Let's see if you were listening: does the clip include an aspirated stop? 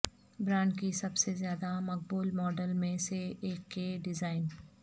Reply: no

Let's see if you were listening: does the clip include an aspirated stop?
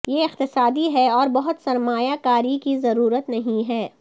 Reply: no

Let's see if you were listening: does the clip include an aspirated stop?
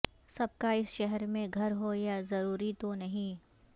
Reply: no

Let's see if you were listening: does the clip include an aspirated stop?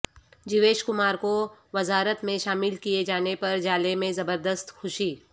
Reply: no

